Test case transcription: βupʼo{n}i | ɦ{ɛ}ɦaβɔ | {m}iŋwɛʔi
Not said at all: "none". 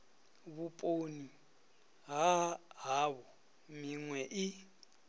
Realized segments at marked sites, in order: n, a, m

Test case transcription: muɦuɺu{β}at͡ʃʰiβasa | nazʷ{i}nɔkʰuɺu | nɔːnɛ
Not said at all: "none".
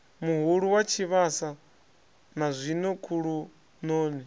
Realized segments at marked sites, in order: w, i

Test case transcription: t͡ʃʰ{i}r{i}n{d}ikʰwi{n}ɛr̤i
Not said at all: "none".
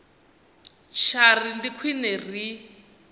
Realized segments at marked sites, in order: a, i, d, n

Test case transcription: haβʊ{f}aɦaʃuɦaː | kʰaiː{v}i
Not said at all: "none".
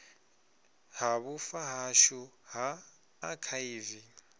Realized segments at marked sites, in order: f, v

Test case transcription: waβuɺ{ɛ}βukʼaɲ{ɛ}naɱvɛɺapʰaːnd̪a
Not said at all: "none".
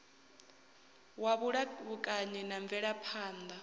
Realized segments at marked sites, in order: a, ɛ

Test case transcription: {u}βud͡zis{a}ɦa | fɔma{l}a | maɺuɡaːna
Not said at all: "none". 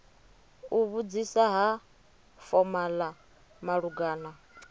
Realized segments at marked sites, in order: u, a, l

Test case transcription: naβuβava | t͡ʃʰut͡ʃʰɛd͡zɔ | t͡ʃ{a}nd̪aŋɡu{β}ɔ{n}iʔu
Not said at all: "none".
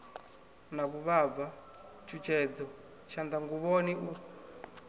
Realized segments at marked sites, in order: a, β, n

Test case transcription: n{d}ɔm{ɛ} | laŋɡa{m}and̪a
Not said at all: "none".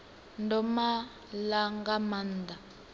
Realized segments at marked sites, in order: d, a, m

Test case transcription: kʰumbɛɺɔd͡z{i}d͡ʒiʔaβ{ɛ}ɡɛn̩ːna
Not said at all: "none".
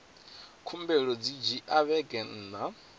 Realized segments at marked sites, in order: i, ɛ

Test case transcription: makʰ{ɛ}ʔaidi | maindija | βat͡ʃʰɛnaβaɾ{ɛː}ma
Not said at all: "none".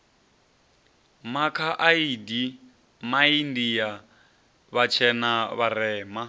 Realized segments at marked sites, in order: a, ɛː

